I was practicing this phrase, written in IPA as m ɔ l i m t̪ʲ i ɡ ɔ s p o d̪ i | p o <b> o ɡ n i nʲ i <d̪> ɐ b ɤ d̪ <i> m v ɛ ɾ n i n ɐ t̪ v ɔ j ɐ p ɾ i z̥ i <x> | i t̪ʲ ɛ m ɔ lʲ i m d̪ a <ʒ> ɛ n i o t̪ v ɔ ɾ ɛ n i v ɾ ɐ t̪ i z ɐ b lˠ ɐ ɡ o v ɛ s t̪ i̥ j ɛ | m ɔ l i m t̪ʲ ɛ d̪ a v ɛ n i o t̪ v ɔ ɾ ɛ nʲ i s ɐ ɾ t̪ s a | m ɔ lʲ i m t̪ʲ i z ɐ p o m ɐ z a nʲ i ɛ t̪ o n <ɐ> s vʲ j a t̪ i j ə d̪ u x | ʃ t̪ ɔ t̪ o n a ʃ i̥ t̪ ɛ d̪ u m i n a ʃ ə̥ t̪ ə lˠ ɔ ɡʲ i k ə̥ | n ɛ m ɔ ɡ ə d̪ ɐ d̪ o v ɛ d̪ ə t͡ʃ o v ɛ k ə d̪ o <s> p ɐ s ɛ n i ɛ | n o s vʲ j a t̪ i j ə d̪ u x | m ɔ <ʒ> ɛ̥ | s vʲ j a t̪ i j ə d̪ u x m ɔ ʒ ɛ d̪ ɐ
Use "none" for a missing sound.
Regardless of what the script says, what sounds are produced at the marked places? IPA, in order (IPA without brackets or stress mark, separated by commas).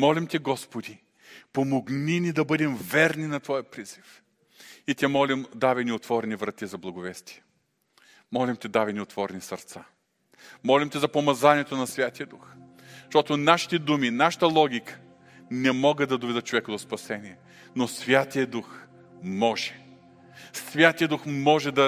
m, d̪, ɛ, f, v, ɐ, s, ʒ